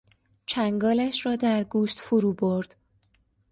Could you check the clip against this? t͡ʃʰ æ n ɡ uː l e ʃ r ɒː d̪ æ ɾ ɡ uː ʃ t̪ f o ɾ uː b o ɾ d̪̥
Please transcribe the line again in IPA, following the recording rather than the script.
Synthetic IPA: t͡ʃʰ æ ŋ ɡ ɒː l æ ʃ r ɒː d̪ æ ɾ ɡ uː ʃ t̪ f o ɾ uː b o ɾ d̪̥